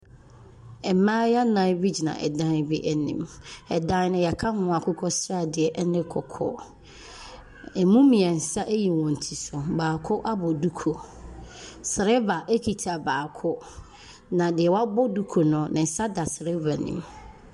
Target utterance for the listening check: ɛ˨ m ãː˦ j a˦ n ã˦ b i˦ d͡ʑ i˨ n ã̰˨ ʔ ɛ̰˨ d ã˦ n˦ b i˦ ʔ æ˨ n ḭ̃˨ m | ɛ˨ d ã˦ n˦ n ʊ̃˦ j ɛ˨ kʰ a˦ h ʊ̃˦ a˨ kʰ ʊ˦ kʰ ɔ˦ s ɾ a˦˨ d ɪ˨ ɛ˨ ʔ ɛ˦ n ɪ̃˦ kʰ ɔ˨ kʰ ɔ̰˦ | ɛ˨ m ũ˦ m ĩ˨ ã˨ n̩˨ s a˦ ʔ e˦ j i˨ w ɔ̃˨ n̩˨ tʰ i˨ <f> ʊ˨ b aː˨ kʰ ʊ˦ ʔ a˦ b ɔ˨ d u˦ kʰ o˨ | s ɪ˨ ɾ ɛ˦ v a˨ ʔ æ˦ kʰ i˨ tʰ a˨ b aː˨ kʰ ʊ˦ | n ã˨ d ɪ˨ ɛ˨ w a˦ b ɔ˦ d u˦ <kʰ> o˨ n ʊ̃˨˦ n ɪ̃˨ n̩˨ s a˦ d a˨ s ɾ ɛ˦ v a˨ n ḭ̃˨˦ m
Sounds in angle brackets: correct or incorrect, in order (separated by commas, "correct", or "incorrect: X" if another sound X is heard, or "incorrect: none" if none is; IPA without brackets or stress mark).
incorrect: s, correct